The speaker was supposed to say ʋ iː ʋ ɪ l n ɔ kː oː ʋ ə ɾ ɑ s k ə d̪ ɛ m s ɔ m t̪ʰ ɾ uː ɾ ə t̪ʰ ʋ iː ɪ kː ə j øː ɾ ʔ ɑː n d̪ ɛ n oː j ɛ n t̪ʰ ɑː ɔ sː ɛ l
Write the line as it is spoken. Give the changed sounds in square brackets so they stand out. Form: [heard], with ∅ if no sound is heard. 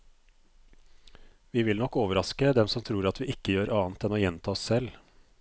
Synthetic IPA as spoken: ʋ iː ʋ ɪ l n ɔ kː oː ʋ ə ɾ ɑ s k ə d̪ ɛ m s ɔ m t̪ʰ ɾ uː ɾ [ɑ] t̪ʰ ʋ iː ɪ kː ə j øː ɾ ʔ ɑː n [t̪] ɛ n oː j ɛ n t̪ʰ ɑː ɔ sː ɛ l